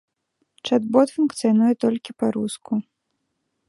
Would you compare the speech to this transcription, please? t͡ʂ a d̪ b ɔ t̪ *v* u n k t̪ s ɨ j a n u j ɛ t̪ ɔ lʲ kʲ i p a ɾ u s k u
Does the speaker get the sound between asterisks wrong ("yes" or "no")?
yes